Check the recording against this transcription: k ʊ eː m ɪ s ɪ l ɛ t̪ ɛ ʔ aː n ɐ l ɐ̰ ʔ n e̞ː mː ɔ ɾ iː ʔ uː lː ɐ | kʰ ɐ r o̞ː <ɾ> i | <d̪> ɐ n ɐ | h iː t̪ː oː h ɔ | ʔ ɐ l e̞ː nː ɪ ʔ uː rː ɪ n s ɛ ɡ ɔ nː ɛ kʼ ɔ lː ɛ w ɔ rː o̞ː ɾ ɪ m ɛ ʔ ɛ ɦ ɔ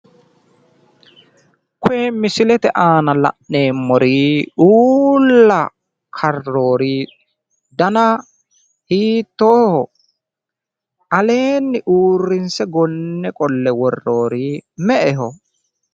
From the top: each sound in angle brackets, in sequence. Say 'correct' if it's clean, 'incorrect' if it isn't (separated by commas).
correct, correct